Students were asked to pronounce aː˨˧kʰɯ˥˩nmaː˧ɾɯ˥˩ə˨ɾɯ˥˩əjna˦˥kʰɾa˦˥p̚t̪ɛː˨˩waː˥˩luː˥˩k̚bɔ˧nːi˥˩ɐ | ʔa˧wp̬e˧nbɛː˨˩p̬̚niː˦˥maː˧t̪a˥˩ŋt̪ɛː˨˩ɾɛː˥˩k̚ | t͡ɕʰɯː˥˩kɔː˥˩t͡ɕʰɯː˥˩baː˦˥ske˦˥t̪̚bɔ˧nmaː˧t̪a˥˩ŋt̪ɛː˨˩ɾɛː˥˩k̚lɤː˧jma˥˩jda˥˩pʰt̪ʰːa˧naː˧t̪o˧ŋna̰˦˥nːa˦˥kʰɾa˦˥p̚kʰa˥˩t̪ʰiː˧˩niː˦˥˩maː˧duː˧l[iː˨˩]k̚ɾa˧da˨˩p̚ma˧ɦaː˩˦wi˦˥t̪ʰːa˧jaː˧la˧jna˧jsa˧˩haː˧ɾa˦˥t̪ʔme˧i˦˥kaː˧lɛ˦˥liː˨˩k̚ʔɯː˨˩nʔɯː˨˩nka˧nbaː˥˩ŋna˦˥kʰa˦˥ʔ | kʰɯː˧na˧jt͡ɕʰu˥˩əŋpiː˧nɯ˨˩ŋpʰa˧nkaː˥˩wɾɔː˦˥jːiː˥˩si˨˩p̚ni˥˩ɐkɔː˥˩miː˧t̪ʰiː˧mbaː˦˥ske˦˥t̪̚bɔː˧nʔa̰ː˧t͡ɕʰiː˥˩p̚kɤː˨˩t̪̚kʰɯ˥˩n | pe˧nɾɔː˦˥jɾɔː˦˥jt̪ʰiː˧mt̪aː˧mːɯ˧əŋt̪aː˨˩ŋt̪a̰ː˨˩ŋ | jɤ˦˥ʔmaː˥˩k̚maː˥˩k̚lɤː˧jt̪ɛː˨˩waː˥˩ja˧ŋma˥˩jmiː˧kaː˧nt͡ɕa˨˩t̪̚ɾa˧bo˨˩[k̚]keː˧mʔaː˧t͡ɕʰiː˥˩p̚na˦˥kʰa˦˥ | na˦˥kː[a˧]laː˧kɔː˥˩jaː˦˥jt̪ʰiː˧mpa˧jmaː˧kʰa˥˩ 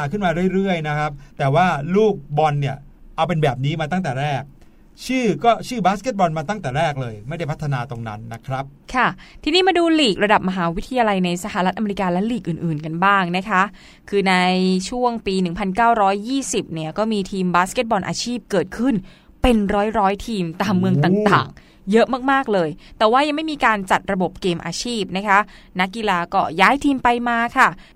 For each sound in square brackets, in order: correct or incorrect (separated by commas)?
correct, incorrect, incorrect